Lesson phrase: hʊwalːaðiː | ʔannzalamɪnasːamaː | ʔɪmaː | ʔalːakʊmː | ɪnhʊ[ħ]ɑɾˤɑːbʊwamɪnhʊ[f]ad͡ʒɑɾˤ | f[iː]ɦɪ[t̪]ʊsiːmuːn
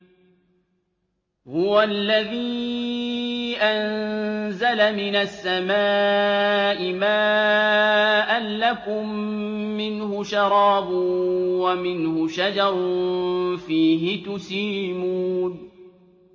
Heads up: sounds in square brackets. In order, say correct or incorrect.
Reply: incorrect, incorrect, correct, correct

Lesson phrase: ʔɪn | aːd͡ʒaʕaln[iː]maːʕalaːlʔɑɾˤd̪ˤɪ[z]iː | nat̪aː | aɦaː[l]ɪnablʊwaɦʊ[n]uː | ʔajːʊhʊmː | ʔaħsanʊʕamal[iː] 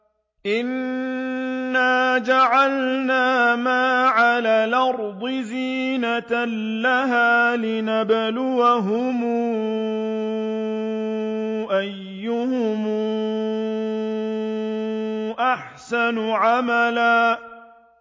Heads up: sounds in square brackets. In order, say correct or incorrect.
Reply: incorrect, correct, correct, incorrect, incorrect

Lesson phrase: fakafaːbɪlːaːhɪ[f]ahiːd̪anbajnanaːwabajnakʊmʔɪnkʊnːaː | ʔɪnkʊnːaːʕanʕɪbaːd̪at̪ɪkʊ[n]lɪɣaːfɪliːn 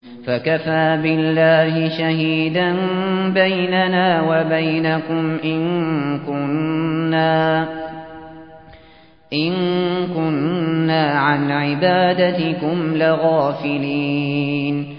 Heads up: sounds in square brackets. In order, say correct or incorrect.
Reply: incorrect, incorrect

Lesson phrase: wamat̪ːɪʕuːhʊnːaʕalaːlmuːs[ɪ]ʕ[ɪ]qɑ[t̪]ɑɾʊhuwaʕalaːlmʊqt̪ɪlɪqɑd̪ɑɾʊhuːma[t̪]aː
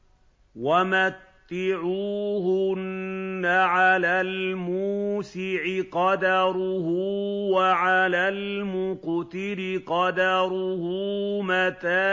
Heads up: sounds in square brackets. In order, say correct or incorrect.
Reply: correct, correct, incorrect, correct

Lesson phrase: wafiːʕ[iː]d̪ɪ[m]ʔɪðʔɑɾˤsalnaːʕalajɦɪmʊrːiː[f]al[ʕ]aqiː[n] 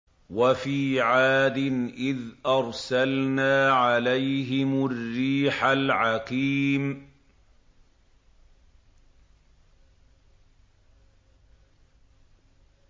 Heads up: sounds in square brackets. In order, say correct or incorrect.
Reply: incorrect, incorrect, incorrect, correct, incorrect

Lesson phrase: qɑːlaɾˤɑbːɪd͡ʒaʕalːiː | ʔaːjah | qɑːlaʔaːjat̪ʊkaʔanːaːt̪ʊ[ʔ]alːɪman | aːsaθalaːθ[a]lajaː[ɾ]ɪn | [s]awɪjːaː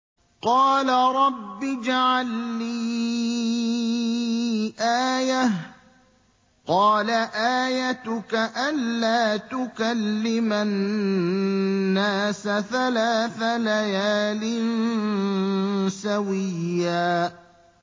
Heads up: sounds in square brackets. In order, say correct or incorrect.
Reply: incorrect, correct, incorrect, correct

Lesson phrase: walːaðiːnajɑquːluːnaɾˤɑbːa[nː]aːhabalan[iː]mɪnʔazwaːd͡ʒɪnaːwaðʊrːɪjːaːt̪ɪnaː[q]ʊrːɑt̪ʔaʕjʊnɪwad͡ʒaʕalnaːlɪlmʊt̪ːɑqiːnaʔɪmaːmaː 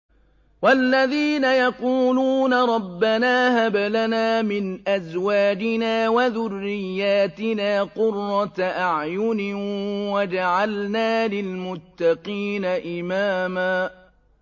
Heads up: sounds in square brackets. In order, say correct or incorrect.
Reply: incorrect, incorrect, correct

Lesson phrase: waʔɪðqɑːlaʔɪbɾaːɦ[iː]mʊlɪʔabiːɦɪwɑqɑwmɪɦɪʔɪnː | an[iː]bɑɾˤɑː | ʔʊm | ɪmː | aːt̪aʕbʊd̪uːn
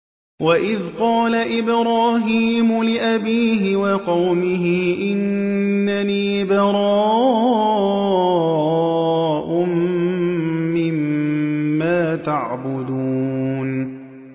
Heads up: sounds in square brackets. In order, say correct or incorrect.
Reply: correct, correct

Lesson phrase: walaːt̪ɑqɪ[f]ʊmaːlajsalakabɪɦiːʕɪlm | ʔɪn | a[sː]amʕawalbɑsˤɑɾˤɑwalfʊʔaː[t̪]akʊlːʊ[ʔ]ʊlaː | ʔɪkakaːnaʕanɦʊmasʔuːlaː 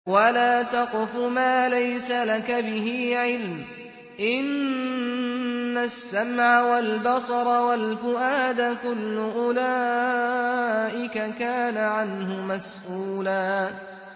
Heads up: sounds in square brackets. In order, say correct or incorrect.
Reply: correct, correct, incorrect, correct

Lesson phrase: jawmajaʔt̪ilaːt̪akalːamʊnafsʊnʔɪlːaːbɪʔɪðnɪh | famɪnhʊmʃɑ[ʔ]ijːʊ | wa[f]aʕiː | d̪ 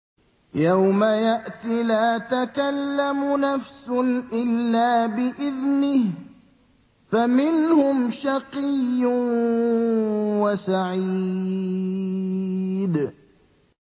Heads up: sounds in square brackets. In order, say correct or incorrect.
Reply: incorrect, incorrect

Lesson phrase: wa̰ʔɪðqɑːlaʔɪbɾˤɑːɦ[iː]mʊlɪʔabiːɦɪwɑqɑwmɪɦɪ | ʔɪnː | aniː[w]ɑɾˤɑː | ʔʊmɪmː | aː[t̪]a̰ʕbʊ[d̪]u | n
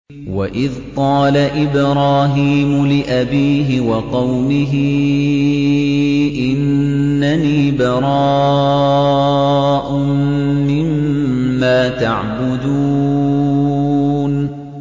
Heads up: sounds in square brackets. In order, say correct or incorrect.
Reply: correct, incorrect, correct, correct

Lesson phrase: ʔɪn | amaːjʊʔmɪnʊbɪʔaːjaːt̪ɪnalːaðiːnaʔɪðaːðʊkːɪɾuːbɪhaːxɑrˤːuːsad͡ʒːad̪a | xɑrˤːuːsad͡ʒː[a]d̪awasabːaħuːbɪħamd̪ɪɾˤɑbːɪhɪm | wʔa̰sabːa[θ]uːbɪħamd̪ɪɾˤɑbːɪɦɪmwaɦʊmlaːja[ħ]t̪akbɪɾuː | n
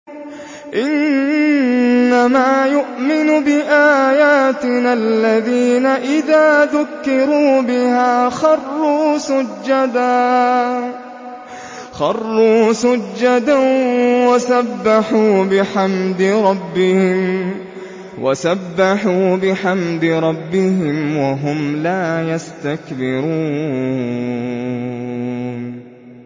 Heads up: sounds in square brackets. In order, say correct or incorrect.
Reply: correct, incorrect, incorrect

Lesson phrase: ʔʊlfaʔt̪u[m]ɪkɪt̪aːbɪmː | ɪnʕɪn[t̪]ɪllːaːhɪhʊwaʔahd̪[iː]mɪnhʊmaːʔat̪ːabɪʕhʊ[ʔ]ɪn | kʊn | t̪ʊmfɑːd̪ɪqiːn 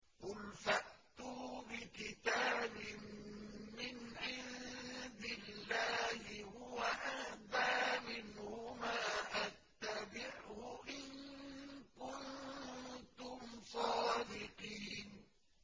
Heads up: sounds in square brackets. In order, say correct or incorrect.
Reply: incorrect, incorrect, incorrect, correct

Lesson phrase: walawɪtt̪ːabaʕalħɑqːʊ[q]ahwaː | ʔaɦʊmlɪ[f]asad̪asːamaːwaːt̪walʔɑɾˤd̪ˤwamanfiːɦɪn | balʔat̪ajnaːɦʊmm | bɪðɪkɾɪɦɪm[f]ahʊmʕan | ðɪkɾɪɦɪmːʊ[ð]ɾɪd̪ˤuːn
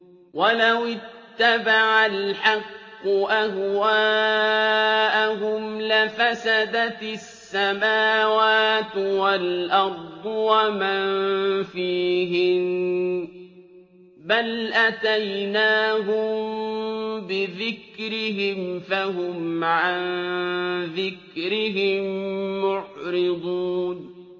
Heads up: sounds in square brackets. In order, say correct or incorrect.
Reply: incorrect, correct, correct, incorrect

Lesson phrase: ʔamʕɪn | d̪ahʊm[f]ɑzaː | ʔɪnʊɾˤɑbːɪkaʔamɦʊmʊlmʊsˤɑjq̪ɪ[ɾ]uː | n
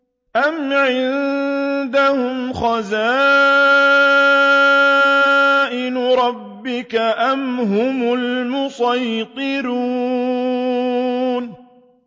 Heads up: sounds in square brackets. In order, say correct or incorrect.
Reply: incorrect, correct

